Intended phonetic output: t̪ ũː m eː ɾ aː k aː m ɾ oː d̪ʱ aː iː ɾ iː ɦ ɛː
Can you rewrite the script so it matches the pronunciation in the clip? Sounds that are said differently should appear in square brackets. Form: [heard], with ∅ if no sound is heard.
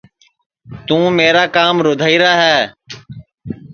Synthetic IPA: t̪ ũː m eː ɾ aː k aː m ɾ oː d̪ʱ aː iː ɾ [aː] ɦ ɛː